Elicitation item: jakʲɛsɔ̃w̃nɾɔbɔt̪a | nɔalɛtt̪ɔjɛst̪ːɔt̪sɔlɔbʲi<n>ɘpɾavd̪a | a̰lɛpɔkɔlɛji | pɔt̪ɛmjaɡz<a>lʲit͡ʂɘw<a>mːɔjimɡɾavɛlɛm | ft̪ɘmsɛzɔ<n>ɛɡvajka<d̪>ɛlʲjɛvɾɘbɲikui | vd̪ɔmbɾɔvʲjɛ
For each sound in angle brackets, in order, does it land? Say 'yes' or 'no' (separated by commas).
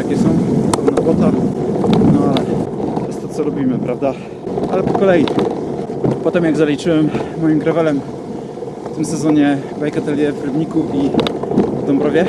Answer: no, yes, no, no, no